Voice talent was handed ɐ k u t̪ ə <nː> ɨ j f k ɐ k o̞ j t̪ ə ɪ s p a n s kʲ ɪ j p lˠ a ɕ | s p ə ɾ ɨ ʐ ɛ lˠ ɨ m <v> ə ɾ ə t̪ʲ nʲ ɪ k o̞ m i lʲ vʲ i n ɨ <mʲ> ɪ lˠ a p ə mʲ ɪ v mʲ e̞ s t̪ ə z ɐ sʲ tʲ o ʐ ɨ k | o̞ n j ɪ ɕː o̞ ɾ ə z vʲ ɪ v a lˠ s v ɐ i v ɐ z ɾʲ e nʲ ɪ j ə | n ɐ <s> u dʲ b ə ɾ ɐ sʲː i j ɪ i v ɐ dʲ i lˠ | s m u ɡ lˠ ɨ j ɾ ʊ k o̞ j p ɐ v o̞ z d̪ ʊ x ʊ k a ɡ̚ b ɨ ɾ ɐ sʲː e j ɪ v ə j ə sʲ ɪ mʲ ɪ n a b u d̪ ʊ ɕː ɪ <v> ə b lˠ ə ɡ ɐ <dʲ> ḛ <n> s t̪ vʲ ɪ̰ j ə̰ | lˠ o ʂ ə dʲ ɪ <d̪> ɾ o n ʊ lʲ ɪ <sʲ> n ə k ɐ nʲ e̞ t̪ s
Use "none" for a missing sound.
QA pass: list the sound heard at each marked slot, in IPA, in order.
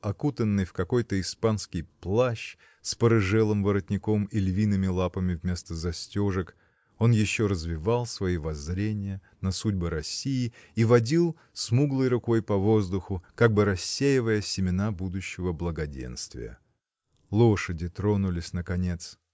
nː, v, mʲ, s, v, dʲ, n, t̪, sʲ

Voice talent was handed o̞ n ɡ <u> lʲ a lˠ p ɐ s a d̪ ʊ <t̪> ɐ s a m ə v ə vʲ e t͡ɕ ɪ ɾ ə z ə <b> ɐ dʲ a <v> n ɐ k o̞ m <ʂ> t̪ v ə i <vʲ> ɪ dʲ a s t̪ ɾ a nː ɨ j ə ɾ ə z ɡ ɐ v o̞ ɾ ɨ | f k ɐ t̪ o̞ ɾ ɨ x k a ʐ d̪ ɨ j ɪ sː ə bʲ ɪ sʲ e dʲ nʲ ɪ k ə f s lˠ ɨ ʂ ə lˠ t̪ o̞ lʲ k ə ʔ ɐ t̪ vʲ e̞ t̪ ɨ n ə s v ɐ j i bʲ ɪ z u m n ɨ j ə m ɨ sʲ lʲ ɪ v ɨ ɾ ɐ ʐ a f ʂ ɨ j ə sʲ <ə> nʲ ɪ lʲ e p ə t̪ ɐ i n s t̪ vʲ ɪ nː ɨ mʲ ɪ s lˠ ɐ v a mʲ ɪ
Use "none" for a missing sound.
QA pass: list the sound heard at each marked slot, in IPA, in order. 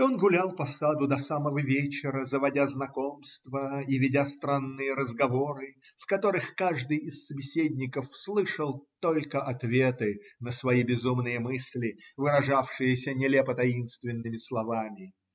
ʊ, d̪, v, z, s, vʲ, ə

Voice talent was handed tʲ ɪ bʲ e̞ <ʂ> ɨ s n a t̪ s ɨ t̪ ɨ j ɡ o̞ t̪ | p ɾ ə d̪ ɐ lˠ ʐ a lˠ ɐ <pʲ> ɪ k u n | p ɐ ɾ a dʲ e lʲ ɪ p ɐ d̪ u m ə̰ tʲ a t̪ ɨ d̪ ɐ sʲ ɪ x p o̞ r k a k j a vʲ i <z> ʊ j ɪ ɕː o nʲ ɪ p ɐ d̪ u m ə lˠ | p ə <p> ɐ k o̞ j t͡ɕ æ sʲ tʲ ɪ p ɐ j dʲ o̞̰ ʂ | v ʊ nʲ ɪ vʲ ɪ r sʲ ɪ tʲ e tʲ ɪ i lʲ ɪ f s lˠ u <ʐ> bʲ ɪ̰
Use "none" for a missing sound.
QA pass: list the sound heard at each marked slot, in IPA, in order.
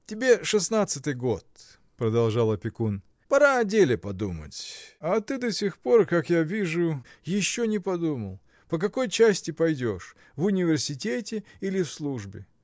ʂ, pʲ, ʐ, k, ʐ

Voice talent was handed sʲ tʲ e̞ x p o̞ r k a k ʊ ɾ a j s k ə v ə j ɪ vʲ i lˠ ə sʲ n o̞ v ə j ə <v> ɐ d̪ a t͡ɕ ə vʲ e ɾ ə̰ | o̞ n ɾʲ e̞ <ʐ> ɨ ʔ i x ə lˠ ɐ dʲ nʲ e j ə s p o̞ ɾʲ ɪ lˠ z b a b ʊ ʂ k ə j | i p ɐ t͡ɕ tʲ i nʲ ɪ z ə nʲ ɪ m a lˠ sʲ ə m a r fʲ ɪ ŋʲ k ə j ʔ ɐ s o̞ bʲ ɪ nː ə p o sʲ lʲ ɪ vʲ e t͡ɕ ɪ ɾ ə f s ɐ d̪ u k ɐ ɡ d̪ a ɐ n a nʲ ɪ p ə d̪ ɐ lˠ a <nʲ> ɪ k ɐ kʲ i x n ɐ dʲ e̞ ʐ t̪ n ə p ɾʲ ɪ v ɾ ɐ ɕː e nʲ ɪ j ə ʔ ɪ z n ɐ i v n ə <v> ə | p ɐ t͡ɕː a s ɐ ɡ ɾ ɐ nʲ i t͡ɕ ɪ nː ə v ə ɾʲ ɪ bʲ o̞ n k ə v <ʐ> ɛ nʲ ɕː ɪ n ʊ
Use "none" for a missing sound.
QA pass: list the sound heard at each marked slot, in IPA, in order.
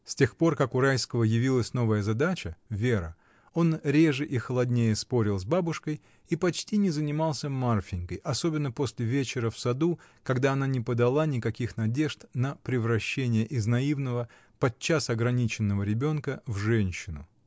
z, ʐ, nʲ, v, ʐ

